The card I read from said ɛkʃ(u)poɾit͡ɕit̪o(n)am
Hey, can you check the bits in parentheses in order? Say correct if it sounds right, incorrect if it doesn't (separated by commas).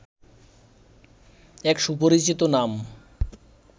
correct, correct